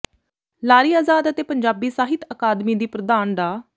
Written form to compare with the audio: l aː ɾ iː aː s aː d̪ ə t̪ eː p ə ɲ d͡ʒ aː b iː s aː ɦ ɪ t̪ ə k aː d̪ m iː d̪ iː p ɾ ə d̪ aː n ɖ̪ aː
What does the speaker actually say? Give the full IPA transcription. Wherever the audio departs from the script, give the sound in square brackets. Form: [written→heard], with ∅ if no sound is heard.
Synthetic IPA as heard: l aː ɾ iː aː [s→z] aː d̪ ə t̪ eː p ə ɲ d͡ʒ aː b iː s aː ɦ ɪ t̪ ə k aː d̪ m iː d̪ iː p ɾ ə d̪ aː n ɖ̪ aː